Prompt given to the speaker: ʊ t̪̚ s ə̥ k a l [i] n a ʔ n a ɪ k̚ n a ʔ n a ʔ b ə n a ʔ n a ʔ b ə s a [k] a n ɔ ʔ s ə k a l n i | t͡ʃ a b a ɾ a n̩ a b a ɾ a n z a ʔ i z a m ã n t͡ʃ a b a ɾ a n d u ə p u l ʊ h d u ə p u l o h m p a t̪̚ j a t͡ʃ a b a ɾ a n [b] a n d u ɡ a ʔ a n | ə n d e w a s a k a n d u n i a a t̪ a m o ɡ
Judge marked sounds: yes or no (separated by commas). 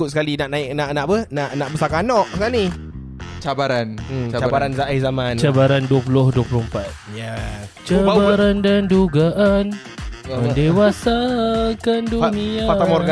yes, yes, no